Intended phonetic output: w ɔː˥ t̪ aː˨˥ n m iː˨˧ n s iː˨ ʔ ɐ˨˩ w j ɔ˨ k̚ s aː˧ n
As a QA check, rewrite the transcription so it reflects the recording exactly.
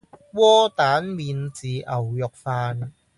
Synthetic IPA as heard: w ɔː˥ t̪ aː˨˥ n m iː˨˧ n t͡s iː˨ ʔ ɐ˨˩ w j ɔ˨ k̚ f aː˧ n